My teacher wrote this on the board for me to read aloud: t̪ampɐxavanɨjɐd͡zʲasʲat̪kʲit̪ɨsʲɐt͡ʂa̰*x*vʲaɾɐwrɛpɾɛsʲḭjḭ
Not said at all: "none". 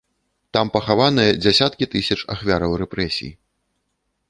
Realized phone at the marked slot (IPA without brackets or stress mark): x